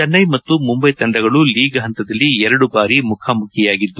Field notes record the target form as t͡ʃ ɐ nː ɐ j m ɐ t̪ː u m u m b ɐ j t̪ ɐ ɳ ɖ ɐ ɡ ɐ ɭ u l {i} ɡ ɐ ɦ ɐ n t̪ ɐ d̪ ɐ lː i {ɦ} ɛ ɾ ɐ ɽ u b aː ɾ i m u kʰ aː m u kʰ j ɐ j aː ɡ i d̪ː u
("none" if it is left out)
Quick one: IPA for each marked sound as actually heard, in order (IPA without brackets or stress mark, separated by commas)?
iː, none